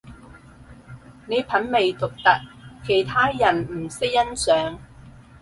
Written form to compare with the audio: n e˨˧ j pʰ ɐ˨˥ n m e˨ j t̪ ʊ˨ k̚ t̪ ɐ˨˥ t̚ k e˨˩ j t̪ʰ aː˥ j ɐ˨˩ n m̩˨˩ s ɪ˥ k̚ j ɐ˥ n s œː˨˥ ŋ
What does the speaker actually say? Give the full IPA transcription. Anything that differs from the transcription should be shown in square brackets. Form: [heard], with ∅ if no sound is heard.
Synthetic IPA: n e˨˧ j pʰ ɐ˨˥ n m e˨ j t̪ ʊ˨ k̚ t̪ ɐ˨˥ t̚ [kʰ] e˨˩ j t̪ʰ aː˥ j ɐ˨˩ n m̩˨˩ s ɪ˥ k̚ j ɐ˥ n s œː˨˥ ŋ